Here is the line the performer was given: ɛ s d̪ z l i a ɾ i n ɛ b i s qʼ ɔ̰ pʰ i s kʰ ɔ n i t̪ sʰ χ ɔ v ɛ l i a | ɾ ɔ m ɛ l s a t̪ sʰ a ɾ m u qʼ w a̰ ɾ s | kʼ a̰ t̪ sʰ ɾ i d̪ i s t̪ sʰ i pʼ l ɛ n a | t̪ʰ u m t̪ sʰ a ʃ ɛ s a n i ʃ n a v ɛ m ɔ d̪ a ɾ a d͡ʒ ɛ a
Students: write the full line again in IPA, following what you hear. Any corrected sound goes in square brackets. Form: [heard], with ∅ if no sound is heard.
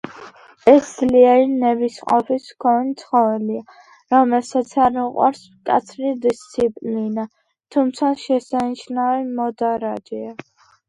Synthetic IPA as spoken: ɛ s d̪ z l i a ɾ i n ɛ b i s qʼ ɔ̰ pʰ i s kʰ ɔ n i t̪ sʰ χ ɔ v ɛ l i a | ɾ ɔ m ɛ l s a t̪ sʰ a ɾ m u qʼ w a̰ ɾ s | kʼ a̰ t̪ sʰ ɾ i d̪ i s t̪ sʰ i pʼ l [i] n a | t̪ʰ u m t̪ sʰ a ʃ ɛ s a n i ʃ n a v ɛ m ɔ d̪ a ɾ a d͡ʒ ɛ a